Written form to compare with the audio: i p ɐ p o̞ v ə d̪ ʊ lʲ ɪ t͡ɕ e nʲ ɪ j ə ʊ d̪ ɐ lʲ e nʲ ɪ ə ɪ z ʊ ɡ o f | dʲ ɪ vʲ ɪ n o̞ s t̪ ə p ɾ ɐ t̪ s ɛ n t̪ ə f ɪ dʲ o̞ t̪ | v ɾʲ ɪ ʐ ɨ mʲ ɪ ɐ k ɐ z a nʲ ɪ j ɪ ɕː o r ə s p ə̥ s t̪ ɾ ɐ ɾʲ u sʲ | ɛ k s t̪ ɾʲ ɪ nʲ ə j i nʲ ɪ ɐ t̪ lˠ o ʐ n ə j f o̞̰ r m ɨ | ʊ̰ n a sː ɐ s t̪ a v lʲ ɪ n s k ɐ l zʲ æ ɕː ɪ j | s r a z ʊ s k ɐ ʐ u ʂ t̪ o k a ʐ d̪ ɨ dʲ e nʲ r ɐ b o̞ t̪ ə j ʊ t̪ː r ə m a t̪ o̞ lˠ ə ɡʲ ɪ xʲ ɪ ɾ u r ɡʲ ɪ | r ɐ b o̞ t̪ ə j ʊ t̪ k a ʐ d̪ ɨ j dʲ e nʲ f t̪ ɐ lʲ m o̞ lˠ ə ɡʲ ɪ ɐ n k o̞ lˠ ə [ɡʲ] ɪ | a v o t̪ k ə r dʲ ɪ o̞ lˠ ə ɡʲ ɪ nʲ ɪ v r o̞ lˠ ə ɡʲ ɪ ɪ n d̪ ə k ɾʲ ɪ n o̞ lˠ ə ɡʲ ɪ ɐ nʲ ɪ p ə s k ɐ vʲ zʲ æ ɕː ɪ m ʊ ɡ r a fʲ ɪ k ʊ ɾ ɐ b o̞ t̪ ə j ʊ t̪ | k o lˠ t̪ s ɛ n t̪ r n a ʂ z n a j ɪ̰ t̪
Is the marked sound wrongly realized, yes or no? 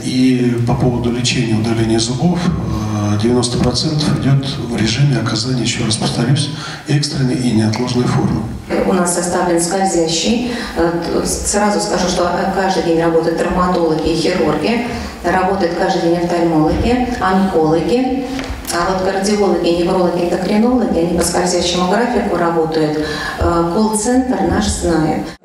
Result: no